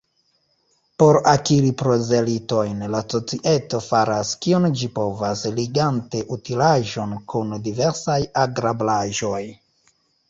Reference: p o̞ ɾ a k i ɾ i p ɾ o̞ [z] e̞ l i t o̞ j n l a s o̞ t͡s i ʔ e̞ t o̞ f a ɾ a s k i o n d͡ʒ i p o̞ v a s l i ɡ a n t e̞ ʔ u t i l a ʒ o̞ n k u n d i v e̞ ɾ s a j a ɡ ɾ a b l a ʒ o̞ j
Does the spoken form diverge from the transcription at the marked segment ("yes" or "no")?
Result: no